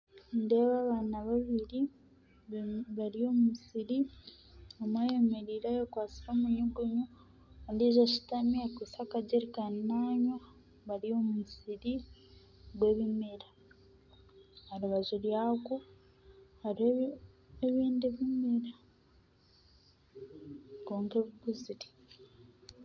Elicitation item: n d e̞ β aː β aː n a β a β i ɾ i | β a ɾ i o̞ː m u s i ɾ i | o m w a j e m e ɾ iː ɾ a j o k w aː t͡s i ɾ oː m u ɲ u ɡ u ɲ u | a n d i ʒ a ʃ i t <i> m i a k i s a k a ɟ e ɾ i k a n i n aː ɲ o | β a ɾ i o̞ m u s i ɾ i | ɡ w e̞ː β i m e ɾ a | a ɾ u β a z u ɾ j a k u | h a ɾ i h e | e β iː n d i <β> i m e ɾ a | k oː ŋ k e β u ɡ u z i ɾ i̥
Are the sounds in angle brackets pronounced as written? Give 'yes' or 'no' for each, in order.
no, yes

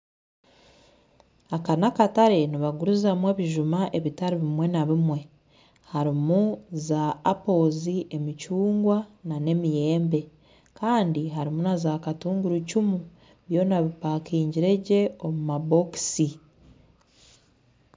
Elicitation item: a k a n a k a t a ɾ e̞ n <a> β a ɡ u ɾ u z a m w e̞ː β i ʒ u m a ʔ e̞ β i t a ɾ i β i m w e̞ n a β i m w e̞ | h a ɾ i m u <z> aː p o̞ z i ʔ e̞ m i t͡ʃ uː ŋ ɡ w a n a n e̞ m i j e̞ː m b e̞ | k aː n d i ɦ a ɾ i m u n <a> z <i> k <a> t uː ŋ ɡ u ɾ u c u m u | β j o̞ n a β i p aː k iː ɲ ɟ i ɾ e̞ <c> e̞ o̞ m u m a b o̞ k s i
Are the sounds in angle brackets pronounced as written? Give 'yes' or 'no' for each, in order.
no, yes, yes, no, yes, no

